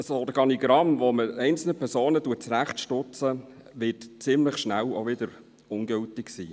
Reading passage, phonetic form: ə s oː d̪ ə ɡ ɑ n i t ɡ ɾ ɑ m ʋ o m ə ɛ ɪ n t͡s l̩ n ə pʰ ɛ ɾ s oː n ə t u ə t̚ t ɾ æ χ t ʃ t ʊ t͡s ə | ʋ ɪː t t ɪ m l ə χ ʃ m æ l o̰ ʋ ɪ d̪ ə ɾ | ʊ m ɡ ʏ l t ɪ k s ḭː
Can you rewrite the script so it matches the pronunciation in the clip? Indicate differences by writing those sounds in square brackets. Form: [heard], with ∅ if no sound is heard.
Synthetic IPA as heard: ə s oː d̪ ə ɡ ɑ n i [∅] ɡ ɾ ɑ m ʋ o m ə ɛ ɪ n t͡s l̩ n ə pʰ ɛ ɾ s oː n ə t u ə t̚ [t͡s] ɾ æ χ t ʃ t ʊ t͡s ə | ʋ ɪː t [t͡s] ɪ m l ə χ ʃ [n] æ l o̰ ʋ ɪ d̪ ə ɾ | ʊ [n] ɡ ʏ l t ɪ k s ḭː